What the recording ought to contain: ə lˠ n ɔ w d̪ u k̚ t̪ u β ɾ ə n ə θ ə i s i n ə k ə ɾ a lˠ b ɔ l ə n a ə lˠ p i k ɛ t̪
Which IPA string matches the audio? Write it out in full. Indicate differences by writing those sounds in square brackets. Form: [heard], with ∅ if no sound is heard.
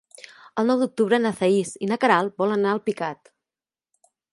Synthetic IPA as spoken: ə lˠ n ɔ w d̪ u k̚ t̪ u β ɾ ə n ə θ ə i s i n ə k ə ɾ a lˠ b ɔ l ə n a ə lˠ p i k [a] t̪